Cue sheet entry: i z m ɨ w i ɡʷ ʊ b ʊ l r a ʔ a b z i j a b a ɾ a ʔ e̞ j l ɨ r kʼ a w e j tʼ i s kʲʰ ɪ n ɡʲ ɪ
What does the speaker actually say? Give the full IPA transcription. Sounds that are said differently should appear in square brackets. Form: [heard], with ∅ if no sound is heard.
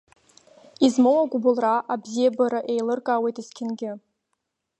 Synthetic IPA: i z m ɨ w [a] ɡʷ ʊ b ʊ l r a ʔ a b z i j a b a ɾ a ʔ e̞ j l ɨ r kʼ a w e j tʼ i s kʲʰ ɪ n ɡʲ ɪ